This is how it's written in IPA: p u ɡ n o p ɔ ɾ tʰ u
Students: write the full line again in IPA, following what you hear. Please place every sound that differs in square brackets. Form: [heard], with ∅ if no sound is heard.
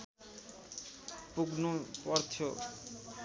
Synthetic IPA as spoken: p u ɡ n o p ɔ ɾ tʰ [o]